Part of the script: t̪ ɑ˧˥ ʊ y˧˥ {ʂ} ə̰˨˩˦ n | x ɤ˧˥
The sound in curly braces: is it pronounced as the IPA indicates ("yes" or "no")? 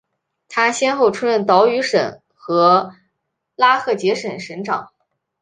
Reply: yes